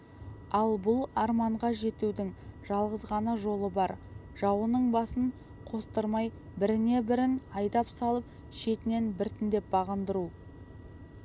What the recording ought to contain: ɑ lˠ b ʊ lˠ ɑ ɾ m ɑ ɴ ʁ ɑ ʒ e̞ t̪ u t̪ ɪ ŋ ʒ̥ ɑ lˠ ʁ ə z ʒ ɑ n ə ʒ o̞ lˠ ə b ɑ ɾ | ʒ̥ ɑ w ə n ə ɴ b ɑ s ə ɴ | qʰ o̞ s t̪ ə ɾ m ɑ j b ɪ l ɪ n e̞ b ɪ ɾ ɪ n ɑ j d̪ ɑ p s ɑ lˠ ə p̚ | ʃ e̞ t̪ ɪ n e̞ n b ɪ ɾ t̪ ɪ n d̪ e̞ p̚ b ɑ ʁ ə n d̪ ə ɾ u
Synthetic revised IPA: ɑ lˠ b ʊ lˠ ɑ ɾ m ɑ ɴ ʁ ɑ ʒ e̞ t̪ u d̪ ɪ ŋ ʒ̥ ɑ lˠ ʁ ə z ʁ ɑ n ə ʒ o̞ lˠ ə b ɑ ɾ | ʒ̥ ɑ w ə n ə ɴ b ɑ s ə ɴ | qʰ o̞ s t̪ ə ɾ m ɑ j b ɪ ɾ ɪ n e̞ b ɪ ɾ ɪ n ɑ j d̪ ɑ p s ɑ lˠ ə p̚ | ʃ e̞ t̪ ɪ n e̞ n b ɪ ɾ t̪ ɪ n d̪ e̞ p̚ b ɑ ʁ ə n d̪ ə ɾ u